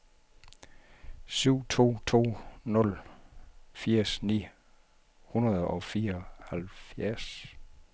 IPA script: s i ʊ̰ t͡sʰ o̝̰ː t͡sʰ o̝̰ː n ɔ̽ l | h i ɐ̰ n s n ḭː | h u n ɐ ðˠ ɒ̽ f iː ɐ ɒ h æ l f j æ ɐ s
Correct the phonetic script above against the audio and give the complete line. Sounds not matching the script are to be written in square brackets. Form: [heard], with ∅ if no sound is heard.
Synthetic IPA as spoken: s [y] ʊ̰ t͡sʰ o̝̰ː t͡sʰ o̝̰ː n ɔ̽ l | [f] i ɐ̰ [∅] s n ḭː | h u n ɐ ðˠ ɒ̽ f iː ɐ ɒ h æ l f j æ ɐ s